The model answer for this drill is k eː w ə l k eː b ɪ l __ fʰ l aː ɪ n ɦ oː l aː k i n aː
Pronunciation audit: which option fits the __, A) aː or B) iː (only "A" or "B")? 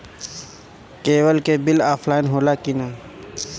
A